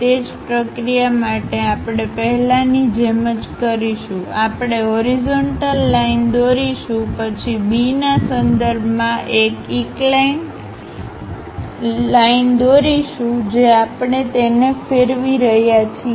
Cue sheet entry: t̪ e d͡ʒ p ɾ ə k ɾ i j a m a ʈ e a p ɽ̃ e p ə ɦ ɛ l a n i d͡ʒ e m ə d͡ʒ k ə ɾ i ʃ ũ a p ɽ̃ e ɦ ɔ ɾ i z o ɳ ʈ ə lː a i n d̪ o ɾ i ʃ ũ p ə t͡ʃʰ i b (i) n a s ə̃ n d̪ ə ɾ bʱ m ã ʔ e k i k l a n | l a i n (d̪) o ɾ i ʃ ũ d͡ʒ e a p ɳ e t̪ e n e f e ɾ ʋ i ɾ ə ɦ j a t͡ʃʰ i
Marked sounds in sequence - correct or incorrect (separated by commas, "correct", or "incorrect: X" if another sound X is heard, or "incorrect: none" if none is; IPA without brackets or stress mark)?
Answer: correct, correct